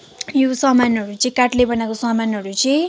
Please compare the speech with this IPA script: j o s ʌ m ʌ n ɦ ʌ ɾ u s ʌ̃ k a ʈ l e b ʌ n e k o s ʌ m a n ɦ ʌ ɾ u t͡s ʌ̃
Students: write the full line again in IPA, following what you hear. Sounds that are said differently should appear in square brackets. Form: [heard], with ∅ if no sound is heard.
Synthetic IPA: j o s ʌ m [a] n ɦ ʌ ɾ u [t͡s] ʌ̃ k a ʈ l e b ʌ n [a] k o s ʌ m a n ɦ ʌ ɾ u t͡s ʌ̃